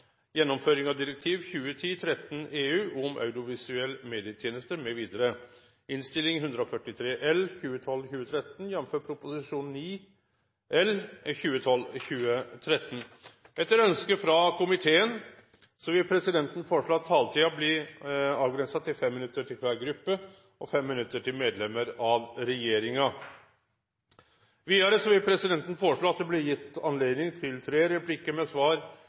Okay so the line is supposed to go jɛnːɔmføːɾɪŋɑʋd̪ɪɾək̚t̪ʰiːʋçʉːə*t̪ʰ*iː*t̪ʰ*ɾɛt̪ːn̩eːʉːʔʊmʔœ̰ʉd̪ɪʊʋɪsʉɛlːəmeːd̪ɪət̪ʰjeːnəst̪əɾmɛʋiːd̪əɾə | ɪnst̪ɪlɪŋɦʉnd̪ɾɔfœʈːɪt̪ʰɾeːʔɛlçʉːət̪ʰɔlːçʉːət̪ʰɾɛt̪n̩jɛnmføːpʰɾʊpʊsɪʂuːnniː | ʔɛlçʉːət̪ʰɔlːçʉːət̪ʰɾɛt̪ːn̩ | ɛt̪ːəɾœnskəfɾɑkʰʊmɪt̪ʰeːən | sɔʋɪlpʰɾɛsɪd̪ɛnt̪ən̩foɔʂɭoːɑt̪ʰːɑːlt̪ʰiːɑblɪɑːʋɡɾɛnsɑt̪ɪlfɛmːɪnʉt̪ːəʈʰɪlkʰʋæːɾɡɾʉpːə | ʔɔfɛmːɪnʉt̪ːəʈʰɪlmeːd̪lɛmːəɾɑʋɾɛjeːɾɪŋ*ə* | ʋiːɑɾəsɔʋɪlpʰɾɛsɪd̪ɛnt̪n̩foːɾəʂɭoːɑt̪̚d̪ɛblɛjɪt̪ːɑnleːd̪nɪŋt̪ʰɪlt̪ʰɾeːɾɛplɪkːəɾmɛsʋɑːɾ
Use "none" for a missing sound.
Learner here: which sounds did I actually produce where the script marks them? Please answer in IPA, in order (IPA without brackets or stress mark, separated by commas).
t̪ʰ, t̪ʰ, ɑ